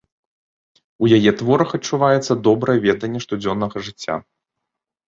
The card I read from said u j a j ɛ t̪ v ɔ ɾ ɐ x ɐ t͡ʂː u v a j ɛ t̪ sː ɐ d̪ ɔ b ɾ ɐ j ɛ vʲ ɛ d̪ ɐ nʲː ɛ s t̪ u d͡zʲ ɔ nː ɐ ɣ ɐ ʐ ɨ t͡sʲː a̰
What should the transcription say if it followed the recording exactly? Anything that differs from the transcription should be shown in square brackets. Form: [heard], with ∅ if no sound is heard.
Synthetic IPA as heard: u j a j ɛ t̪ v ɔ ɾ ɐ x ɐ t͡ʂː u v a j ɛ t̪ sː ɐ d̪ ɔ b ɾ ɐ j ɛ vʲ ɛ d̪ ɐ nʲː ɛ [ʂ] t̪ u d͡zʲ ɔ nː ɐ ɣ ɐ ʐ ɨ t͡sʲː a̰